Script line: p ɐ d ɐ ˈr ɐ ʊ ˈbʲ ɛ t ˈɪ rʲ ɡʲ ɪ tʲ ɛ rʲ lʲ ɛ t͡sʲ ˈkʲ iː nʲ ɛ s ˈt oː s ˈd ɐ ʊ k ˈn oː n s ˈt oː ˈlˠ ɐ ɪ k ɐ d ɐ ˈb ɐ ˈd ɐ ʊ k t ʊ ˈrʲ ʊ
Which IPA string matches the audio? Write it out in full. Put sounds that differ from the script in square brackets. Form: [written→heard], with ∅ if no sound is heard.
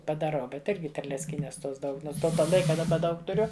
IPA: p ɐ d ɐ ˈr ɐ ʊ ˈbʲ ɛ t ˈɪ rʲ ɡʲ ɪ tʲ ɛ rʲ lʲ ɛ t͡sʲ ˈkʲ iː nʲ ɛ s ˈt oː s ˈd ɐ ʊ k ˈn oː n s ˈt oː ˈlˠ ɐ ɪ k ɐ d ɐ ˈb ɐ ˈd ɐ ʊ k t ʊ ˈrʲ ʊ